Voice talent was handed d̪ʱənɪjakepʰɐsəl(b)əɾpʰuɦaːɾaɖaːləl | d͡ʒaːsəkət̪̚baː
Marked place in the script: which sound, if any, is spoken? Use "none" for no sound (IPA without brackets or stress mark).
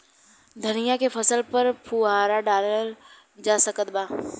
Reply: p